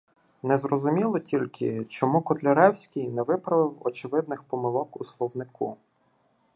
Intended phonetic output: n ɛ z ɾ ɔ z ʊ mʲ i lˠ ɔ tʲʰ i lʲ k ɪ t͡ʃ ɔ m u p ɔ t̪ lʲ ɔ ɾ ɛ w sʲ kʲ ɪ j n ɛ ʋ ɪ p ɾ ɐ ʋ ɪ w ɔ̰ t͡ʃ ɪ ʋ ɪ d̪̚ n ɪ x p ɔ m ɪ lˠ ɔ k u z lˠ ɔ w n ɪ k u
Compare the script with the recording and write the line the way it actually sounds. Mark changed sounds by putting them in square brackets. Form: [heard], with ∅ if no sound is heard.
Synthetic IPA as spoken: n ɛ z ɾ ɔ z ʊ mʲ i lˠ ɔ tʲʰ i lʲ k ɪ t͡ʃ ɔ m u [k] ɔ t̪ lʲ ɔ ɾ ɛ w sʲ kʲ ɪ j n ɛ ʋ ɪ p ɾ ɐ ʋ ɪ w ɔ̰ t͡ʃ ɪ ʋ ɪ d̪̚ n ɪ x p ɔ m ɪ lˠ ɔ k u [s] lˠ ɔ w n ɪ k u